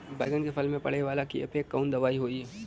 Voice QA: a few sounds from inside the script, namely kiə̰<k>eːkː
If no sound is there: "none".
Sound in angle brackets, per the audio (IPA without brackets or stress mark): p